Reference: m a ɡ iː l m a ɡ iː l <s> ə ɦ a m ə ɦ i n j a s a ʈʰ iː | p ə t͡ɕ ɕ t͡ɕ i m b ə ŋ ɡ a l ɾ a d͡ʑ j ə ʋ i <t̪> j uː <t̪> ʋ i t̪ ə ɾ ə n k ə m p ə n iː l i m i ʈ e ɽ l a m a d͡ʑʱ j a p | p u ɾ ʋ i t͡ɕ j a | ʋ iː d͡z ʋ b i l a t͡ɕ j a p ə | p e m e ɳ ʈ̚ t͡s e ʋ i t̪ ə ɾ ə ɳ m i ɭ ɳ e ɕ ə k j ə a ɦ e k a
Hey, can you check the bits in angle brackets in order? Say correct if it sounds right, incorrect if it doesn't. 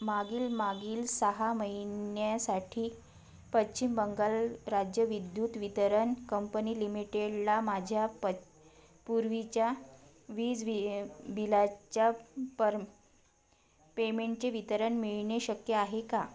correct, incorrect: d̪, correct

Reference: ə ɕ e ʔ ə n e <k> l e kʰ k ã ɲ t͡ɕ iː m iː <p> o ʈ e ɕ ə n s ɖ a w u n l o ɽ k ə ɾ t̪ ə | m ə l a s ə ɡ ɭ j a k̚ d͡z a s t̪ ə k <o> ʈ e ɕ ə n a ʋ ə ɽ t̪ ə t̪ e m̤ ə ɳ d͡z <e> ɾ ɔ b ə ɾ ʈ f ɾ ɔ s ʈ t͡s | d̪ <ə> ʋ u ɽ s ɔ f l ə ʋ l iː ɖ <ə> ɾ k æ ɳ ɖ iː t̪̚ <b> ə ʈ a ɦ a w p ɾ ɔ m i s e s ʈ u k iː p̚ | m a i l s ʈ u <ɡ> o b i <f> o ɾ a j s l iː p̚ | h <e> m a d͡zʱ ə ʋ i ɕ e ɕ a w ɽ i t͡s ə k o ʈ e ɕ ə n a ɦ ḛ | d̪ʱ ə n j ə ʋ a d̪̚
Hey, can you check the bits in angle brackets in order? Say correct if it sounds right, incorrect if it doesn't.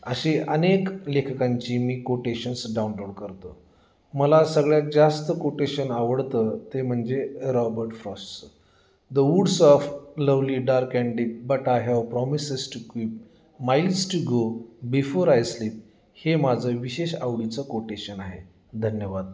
correct, incorrect: k, correct, correct, correct, incorrect: a, correct, correct, correct, correct

